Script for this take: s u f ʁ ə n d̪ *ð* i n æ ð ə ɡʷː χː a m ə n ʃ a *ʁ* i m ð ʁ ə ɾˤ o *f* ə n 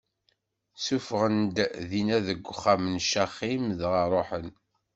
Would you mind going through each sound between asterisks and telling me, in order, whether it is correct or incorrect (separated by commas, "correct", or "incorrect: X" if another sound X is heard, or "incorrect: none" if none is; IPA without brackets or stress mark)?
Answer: correct, incorrect: χ, incorrect: ħ